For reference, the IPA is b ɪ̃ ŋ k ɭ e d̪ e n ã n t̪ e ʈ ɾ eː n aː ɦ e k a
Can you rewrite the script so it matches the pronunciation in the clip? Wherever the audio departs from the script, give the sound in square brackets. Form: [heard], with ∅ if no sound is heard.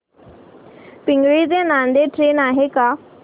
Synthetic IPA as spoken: [p] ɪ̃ ŋ [ɡ] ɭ [i] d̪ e n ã n [d̪] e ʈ ɾ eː n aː ɦ e k a